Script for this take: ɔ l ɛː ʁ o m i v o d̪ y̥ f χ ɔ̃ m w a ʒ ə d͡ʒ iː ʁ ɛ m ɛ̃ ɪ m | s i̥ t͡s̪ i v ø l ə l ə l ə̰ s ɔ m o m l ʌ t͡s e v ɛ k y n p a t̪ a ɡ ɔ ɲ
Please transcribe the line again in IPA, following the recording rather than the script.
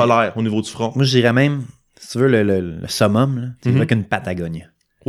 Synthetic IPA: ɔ l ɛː ʁ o n i v o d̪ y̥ f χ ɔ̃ m w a ʒ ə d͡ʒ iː ʁ ɛ m ɛ̃ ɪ m | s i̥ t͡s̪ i v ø l ə l ə l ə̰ s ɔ m ɔ m l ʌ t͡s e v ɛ k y n p a t̪ a ɡ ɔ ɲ